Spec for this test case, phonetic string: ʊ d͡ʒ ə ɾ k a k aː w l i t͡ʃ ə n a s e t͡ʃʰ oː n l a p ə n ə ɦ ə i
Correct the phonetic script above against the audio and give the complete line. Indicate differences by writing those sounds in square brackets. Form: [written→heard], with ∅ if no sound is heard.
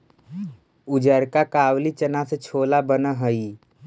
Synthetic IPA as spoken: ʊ d͡ʒ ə ɾ k a k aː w l i t͡ʃ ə n a s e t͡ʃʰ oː [n→∅] l a [p→b] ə n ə ɦ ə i